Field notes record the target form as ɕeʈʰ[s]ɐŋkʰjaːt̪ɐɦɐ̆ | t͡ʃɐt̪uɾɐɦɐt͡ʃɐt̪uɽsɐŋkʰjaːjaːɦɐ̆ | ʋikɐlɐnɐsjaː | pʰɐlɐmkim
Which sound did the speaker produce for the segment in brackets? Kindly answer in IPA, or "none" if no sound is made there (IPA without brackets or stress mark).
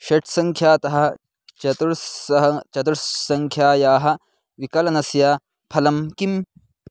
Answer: s